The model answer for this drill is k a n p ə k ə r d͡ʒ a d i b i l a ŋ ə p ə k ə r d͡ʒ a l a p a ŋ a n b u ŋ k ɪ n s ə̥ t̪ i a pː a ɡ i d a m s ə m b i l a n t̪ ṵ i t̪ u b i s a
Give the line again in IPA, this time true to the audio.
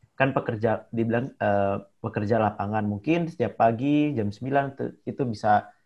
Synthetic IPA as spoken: k a n p ə k ə r d͡ʒ a d i b i l a ŋ ə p ə k ə r d͡ʒ a l a p a ŋ a n m u ŋ k ɪ n s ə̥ t̪ i a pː a ɡ i d͡ʒ a m s ə m b i l a n t̪ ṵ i t̪ u b i s a